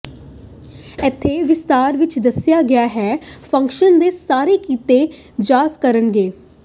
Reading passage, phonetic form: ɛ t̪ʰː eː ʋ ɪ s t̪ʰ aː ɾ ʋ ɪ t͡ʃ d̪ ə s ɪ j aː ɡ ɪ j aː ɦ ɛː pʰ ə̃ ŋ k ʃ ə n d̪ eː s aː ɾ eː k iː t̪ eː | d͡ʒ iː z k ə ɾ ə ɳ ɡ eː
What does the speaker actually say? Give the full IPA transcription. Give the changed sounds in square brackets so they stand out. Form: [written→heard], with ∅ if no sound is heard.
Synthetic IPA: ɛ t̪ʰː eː ʋ ɪ s [t̪ʰ→t̪] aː ɾ ʋ ɪ t͡ʃ d̪ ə s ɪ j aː ɡ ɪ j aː ɦ ɛː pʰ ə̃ ŋ k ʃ ə n d̪ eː s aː ɾ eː k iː t̪ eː | d͡ʒ [iː→aː] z k ə ɾ ə [ɳ→n] ɡ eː